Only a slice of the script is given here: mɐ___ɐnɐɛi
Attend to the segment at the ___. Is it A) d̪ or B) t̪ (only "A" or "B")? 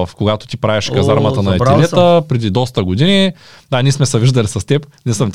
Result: B